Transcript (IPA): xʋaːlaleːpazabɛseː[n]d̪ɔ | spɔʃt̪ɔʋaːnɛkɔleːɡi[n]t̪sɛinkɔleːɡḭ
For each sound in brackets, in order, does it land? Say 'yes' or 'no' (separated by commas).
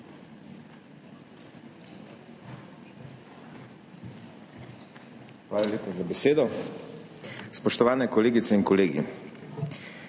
no, no